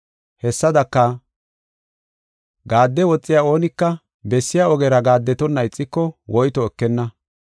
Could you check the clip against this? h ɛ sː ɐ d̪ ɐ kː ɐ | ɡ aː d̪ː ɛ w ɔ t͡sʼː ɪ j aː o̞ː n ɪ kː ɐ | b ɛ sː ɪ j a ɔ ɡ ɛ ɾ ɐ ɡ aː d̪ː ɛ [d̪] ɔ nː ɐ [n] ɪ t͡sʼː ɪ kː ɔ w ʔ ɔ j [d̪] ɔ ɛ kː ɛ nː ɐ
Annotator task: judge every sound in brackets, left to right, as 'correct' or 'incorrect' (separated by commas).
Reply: incorrect, incorrect, incorrect